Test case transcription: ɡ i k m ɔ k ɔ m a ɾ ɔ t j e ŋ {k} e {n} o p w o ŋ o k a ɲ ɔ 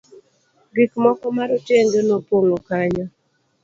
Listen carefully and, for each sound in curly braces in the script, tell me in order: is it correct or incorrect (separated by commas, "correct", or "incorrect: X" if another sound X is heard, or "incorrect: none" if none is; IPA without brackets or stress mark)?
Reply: incorrect: ɡ, correct